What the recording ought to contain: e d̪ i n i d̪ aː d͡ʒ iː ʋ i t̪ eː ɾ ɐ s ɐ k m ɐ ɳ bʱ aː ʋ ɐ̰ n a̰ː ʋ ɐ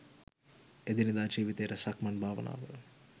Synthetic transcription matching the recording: e d̪ i n i d̪ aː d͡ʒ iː ʋ i t̪ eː ɾ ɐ s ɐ k m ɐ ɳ bʱ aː ʋ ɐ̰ n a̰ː ʋ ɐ